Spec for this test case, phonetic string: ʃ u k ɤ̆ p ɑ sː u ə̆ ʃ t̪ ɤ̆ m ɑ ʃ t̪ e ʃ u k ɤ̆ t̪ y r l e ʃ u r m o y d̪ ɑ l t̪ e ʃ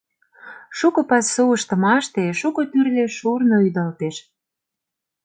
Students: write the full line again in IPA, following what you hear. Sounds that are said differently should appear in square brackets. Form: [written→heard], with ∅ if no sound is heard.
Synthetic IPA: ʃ u k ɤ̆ p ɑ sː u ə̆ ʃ t̪ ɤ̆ m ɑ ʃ t̪ e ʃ u k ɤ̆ t̪ y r l e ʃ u r [m→n] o y d̪ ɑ l t̪ e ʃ